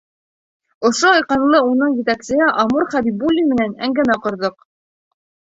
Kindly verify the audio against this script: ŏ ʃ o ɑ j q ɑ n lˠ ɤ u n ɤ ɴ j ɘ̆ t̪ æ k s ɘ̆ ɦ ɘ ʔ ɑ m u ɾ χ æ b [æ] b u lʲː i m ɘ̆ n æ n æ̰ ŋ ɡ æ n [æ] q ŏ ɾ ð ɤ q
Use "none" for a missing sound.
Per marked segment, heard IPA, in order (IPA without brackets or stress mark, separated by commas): i, æ